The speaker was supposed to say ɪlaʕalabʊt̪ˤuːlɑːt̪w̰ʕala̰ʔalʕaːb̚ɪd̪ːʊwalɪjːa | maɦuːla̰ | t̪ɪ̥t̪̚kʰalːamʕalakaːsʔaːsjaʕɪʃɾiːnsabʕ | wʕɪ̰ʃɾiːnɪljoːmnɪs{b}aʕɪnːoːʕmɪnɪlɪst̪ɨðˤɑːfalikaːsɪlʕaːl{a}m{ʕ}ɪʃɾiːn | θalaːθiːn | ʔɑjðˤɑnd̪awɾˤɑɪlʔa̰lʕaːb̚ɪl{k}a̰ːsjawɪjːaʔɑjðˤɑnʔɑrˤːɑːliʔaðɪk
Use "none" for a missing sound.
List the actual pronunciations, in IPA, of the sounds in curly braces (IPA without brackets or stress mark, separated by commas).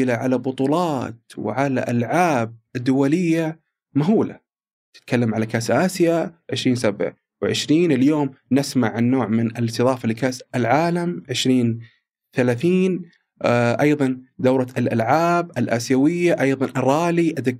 m, a, ʕ, ʔ